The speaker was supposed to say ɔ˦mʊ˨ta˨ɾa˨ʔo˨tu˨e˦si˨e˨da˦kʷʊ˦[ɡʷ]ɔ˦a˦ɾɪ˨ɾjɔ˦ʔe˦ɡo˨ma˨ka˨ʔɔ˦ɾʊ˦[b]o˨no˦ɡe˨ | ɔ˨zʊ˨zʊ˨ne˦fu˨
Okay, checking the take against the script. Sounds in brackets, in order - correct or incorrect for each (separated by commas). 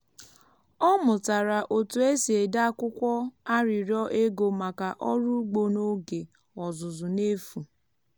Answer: incorrect, incorrect